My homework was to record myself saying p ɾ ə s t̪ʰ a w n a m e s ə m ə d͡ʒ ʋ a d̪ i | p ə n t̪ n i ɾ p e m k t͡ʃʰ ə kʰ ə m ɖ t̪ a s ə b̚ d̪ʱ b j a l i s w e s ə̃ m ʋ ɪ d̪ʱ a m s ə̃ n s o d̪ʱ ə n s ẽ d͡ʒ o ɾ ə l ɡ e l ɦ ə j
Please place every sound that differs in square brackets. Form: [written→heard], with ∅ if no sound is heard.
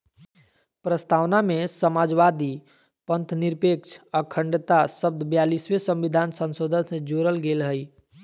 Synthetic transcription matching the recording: p ɾ ə s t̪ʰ a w n a m e s ə m [ə→a] d͡ʒ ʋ a d̪ i | p ə n t̪ n i ɾ p e [m→∅] k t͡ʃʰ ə kʰ ə [m→ɳ] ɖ t̪ a s ə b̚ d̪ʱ b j a l i s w e s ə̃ m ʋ [ɪ→i] d̪ʱ a [m→n] s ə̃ n s o d̪ʱ ə n s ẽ d͡ʒ o ɾ ə l ɡ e l ɦ ə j